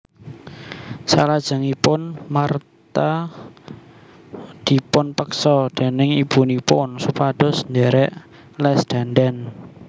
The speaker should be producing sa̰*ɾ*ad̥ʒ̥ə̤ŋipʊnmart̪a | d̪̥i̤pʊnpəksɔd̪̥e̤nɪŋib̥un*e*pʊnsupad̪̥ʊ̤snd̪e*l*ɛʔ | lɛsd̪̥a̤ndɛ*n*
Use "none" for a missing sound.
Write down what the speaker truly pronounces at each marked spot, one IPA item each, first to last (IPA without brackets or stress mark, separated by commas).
l, i, ɾ, n